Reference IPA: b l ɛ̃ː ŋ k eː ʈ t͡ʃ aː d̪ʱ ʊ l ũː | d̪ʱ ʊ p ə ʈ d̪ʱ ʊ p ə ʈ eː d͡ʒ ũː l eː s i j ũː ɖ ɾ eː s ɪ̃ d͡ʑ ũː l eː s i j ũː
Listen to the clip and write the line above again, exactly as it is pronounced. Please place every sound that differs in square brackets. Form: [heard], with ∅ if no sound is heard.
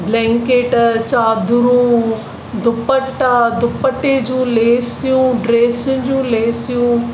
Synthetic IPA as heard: b l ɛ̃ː ŋ k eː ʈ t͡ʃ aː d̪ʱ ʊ [ɾ] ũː | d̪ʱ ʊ p ə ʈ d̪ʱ ʊ p ə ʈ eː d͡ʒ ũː l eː s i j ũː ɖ ɾ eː s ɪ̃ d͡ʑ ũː l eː s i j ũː